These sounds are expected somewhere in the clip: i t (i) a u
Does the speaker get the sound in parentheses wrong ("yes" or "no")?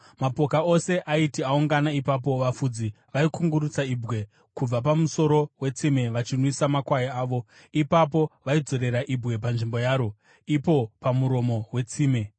no